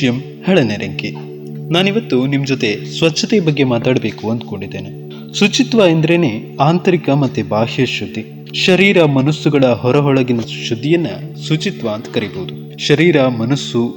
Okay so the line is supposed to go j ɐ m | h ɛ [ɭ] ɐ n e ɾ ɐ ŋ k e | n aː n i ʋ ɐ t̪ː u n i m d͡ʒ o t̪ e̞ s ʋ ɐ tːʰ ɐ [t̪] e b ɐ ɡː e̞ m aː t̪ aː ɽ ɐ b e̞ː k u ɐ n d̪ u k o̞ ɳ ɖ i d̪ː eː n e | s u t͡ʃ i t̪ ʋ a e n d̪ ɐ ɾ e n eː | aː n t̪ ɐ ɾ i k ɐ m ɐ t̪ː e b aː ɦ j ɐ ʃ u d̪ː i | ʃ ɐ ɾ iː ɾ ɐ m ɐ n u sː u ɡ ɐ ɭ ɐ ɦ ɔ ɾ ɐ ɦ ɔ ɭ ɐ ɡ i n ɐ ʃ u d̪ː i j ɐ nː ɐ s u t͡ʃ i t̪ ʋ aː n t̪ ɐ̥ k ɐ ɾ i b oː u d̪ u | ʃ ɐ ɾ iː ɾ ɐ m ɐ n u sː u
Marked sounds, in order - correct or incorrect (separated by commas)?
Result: correct, correct